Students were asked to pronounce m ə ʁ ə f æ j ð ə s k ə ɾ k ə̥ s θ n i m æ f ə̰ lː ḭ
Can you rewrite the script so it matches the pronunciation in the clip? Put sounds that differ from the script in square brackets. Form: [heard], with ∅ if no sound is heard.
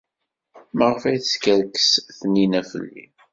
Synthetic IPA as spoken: m ə ʁ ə f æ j [θ] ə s k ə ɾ k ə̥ s θ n i [n] æ f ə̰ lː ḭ